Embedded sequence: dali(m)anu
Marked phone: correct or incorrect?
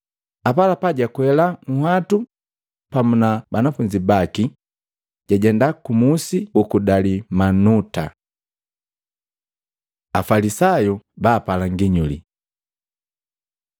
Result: correct